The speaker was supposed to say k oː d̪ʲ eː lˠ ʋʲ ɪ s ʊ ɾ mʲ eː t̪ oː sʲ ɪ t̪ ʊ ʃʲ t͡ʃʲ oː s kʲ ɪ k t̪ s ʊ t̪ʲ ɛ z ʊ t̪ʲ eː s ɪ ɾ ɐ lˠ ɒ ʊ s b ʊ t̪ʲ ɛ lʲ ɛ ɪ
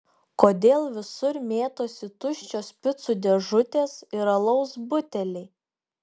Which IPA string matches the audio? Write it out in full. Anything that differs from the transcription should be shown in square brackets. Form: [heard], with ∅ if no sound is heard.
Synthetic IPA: k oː d̪ʲ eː lˠ ʋʲ ɪ s ʊ ɾ mʲ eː t̪ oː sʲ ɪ t̪ ʊ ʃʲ t͡ʃʲ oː s [pʲ] ɪ [∅] t̪ s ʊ [d̪ʲ] ɛ [ʒ] ʊ t̪ʲ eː s ɪ ɾ ɐ lˠ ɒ ʊ s b ʊ t̪ʲ ɛ lʲ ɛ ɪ